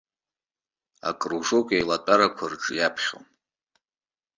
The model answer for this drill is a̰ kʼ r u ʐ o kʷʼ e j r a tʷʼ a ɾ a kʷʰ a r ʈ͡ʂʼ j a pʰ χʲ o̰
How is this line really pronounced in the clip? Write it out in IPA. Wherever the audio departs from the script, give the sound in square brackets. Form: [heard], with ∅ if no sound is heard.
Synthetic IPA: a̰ kʼ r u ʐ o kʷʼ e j [l] a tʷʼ a ɾ a kʷʰ a r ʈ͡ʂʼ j a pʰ χʲ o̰